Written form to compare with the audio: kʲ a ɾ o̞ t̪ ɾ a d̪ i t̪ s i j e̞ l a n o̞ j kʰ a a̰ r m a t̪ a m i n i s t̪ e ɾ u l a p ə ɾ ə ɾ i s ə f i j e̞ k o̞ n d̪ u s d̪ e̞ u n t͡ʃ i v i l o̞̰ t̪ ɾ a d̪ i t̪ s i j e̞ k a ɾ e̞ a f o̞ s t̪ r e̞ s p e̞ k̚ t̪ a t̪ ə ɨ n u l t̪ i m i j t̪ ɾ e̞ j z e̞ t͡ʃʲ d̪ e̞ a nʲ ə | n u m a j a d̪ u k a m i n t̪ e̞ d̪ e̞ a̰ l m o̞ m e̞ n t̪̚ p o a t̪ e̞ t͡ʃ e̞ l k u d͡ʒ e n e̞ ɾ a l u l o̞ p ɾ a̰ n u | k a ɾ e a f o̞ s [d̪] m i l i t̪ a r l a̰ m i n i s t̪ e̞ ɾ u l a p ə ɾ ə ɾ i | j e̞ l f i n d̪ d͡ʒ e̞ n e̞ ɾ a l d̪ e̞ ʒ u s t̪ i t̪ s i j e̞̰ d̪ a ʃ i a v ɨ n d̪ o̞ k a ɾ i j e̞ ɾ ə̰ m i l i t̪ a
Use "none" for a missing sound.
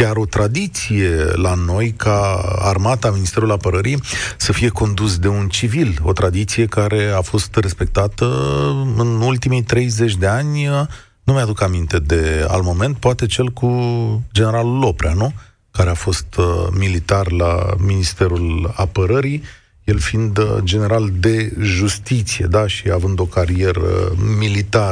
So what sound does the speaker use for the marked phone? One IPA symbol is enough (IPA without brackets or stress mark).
t̪